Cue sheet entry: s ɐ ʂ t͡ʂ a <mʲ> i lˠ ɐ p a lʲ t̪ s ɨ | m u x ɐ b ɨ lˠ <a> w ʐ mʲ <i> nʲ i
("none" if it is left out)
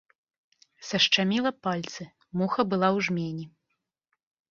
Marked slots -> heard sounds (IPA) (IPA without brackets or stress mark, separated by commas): mʲ, a, e